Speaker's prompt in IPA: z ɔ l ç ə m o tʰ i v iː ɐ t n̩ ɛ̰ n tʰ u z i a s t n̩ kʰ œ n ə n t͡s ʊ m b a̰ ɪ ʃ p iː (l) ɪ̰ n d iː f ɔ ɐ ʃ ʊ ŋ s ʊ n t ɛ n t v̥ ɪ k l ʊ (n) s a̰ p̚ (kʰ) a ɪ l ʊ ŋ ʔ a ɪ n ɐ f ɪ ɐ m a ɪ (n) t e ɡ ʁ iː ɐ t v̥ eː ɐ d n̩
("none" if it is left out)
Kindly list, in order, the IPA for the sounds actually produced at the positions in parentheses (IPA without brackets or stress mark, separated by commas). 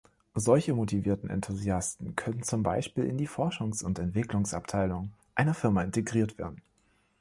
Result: l, ŋ, tʰ, n